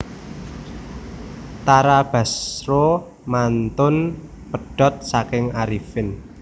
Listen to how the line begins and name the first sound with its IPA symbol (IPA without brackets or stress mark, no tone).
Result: t̪